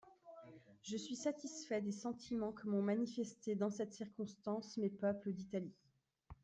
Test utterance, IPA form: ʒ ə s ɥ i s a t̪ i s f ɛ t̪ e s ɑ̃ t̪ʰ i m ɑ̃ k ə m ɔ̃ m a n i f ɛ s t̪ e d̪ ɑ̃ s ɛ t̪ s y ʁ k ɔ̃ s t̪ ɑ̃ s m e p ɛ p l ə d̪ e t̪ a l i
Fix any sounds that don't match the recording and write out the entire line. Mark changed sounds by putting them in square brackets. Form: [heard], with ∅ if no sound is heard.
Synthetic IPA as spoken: ʒ ə s ɥ i s a t̪ i s f ɛ [d̪] e s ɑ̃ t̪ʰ i m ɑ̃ k ə m ɔ̃ m a n i f ɛ s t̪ e d̪ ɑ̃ s ɛ t̪ s [i] ʁ k ɔ̃ s t̪ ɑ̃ s m e p [œ] p l ə d̪ [i] t̪ a l i

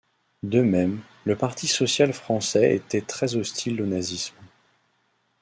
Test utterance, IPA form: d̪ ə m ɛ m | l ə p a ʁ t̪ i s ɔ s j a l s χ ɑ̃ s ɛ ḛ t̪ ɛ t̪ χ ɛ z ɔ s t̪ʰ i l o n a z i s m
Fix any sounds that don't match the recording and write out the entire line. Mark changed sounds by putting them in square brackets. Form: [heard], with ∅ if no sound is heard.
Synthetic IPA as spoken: d̪ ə m ɛ m | l ə p a ʁ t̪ i s ɔ s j a l [f] χ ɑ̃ s ɛ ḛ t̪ ɛ t̪ χ ɛ z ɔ s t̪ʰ i l o n a z i s m

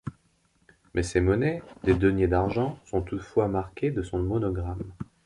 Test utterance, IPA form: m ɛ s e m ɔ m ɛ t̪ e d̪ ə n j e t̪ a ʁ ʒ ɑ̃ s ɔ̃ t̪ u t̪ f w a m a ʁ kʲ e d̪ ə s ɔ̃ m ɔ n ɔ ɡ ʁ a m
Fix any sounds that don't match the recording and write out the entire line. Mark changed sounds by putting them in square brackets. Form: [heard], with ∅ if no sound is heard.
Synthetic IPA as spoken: m ɛ s e m ɔ [n] ɛ [d̪] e d̪ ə n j e [d̪] a ʁ ʒ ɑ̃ s ɔ̃ t̪ u t̪ f w a m a ʁ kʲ e d̪ ə s ɔ̃ m ɔ n ɔ ɡ ʁ a m

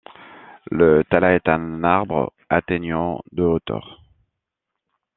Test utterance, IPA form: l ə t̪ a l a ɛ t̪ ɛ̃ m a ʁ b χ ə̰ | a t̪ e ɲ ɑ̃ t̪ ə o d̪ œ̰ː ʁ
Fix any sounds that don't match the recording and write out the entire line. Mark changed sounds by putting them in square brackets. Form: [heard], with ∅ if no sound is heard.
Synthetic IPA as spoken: l ə t̪ a l a ɛ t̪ ɛ̃ [n] a ʁ b [ʁ] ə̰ | a t̪ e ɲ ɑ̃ [d̪] ə o [t̪] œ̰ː ʁ

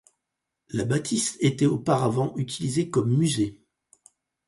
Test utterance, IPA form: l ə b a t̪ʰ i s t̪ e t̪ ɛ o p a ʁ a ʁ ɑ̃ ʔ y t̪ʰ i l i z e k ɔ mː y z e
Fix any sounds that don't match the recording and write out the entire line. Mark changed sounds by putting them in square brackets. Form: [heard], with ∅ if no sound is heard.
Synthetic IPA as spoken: l [a] b a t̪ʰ i s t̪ e t̪ ɛ o p a ʁ a [v] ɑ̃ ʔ y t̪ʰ i l i z e k ɔ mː y z e

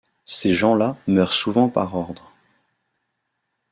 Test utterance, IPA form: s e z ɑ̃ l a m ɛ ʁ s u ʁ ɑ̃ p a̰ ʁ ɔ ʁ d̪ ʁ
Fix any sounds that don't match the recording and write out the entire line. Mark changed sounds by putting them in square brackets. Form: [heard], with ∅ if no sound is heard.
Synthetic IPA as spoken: s e [ʒ] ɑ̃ l a m [œ] ʁ s u [v] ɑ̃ p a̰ ʁ ɔ ʁ d̪ ʁ

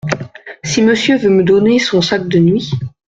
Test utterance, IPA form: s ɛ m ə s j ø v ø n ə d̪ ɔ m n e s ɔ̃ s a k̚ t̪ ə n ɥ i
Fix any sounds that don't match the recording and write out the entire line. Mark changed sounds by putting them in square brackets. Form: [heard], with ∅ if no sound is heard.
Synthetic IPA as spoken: s [i] m ə s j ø v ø [m] ə d̪ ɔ [∅] n e s ɔ̃ s a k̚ [d̪] ə n ɥ i

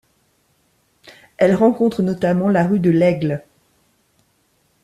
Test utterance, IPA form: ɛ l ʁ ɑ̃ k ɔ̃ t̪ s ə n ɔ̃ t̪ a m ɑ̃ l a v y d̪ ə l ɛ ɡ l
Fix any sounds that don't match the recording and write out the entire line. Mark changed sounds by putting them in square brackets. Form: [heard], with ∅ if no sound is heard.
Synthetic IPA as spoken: ɛ l ʁ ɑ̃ k ɔ̃ t̪ [χ] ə n [ɔ] t̪ a m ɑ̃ l a [ʁ] y d̪ ə l ɛ ɡ l

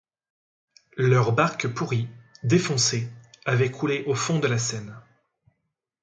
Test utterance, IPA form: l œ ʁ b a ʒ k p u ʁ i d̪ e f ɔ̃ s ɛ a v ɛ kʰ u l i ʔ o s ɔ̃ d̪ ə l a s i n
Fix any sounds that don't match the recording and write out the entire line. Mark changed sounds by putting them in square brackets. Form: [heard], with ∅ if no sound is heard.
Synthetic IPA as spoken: l œ ʁ b a [ʁ] k p u ʁ i d̪ e f ɔ̃ s [e] a v ɛ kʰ u l [e] ʔ o [f] ɔ̃ d̪ ə l a s [ɛ] n

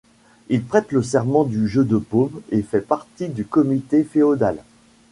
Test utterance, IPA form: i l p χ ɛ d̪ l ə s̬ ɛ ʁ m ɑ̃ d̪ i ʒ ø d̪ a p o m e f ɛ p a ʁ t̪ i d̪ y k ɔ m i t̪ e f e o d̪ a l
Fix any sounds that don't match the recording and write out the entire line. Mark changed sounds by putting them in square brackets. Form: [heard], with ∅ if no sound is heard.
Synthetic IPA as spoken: i l p χ ɛ [t̪] l ə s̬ ɛ ʁ m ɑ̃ d̪ [y] ʒ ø d̪ [ə] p o m e f ɛ p a ʁ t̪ i d̪ y k ɔ m i t̪ e f e o d̪ a l

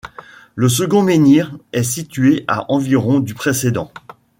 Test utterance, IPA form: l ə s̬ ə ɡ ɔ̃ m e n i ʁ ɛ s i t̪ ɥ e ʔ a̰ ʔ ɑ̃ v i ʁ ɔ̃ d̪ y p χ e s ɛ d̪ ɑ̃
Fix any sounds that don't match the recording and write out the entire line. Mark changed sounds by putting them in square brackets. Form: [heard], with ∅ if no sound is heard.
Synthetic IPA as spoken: l ə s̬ ə ɡ ɔ̃ m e n i ʁ ɛ s i t̪ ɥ e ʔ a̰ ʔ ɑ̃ v i ʁ ɔ̃ d̪ y p χ e s [e] d̪ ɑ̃

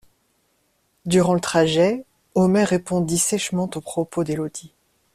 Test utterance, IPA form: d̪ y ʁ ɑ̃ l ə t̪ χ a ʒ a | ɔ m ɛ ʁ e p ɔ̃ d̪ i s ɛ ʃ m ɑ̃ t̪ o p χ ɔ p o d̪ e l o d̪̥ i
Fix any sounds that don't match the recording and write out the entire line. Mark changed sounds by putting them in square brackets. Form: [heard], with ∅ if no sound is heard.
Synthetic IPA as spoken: d̪ y ʁ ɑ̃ l ə t̪ χ a ʒ [ɛ] | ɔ m ɛ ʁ e p ɔ̃ d̪ i s ɛ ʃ m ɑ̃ t̪ o p χ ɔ p o d̪ e l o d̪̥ i

